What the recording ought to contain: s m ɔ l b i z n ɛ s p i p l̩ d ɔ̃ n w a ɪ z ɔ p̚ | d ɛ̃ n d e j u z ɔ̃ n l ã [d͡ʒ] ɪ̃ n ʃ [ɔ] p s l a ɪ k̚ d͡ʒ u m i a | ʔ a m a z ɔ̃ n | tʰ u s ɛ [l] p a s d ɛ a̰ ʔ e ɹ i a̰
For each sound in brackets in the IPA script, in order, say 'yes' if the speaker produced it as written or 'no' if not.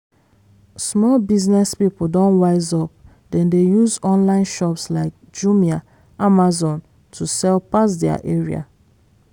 no, yes, yes

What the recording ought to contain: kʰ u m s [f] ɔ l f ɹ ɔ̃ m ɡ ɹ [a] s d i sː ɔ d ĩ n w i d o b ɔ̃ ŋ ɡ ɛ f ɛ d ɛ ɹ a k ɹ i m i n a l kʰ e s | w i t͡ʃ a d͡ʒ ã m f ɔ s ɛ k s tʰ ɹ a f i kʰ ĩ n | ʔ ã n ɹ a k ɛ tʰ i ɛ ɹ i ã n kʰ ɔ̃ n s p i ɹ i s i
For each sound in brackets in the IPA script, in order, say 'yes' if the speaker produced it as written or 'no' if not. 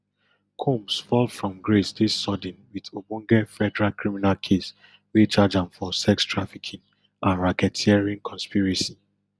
yes, no

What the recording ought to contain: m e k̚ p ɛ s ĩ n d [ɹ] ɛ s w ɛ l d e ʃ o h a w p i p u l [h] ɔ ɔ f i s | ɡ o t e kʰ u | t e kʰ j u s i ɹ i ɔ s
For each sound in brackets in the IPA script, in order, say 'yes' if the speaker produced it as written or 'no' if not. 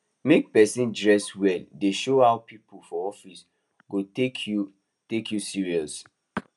yes, no

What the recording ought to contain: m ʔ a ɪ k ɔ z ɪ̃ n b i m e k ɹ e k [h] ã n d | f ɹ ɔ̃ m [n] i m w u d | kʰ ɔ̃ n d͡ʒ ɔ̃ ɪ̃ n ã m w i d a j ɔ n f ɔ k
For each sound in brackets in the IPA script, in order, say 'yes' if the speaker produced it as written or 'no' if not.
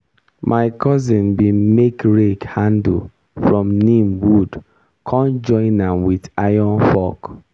yes, yes

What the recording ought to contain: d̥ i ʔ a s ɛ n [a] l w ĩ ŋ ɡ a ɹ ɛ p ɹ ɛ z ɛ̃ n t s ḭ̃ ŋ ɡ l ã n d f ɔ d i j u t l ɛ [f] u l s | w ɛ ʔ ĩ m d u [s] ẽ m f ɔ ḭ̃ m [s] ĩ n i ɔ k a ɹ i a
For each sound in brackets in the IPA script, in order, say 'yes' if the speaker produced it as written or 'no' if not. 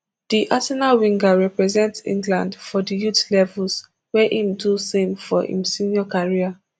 yes, no, yes, yes

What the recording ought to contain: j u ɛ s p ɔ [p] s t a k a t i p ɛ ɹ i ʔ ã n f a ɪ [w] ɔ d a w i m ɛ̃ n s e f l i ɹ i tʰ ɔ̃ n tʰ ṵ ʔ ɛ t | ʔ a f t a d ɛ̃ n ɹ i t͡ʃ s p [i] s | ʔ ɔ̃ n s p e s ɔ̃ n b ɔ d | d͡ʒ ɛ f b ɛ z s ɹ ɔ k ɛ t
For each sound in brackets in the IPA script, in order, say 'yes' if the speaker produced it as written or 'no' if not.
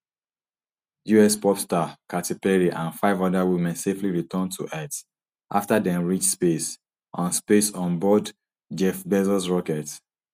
yes, no, no

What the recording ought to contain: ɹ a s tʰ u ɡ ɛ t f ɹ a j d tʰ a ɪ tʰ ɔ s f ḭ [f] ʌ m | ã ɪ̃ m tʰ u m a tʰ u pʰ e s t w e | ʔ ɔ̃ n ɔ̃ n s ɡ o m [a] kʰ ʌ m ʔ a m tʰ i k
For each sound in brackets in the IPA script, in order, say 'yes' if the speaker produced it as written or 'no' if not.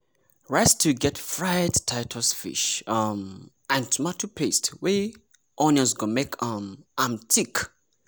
no, no

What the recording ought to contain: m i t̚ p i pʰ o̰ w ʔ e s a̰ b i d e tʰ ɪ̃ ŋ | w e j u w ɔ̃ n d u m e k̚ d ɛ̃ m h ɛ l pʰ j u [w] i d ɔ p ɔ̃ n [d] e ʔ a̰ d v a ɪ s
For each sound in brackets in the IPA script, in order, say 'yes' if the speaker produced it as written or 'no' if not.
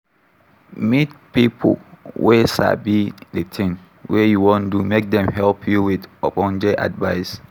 yes, no

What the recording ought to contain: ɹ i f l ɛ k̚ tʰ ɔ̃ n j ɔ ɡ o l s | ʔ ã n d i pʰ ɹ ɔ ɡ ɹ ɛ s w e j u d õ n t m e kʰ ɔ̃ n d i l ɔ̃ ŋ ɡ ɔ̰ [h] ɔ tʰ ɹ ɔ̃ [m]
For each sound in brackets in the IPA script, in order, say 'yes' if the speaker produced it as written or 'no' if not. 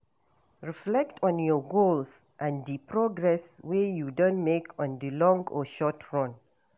no, no

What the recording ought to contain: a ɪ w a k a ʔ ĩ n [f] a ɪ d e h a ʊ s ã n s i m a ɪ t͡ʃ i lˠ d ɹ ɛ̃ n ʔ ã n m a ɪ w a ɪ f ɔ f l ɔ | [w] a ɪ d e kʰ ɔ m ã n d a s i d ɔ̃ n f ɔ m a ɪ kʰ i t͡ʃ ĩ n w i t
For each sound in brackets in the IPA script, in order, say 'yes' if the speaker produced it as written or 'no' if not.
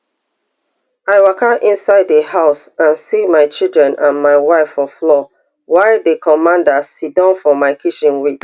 no, yes

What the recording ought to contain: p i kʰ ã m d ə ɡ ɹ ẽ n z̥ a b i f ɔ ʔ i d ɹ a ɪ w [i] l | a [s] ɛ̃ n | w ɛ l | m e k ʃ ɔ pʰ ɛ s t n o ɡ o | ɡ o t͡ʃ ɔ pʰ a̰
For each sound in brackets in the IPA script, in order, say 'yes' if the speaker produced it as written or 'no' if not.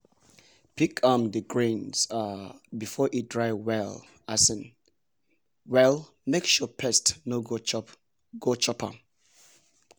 no, yes

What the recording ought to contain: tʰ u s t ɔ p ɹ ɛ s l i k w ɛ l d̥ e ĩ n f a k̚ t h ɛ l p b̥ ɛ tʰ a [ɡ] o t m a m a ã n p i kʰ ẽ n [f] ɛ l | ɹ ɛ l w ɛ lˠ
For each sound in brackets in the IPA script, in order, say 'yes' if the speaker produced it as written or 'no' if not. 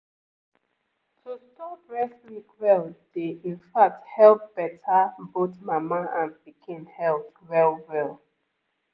no, no

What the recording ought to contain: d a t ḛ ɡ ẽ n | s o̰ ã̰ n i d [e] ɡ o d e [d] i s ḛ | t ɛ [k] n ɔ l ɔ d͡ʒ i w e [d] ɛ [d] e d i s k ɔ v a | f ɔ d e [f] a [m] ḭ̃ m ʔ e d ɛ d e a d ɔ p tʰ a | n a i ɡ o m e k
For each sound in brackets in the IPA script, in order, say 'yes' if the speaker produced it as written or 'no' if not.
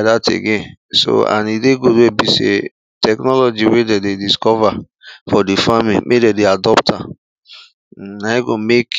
yes, no, yes, yes, yes, yes, yes

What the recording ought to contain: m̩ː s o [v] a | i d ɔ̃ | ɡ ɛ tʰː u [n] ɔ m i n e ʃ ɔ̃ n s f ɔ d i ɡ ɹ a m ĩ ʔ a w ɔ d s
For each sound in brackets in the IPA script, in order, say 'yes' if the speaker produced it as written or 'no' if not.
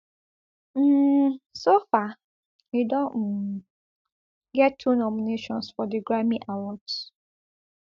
no, yes

